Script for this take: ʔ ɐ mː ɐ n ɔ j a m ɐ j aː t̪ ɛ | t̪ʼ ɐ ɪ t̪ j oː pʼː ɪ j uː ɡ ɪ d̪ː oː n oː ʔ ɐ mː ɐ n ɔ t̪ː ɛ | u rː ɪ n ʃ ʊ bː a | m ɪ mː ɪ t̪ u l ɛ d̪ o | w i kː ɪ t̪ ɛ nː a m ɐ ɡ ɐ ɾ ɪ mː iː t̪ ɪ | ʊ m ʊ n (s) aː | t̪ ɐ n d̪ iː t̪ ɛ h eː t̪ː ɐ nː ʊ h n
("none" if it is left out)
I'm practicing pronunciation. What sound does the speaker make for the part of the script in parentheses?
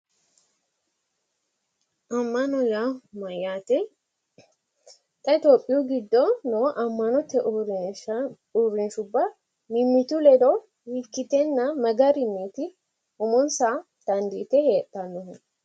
s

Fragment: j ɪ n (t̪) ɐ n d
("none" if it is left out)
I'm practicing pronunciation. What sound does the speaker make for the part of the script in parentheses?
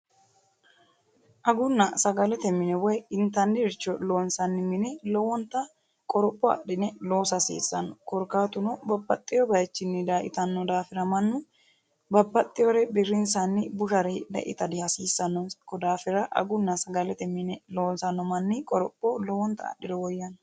t̪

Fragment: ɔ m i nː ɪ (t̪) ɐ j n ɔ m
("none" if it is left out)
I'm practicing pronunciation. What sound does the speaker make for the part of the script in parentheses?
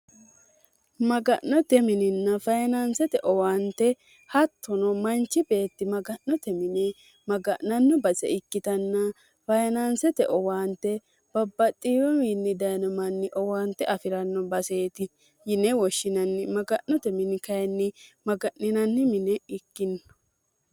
d̪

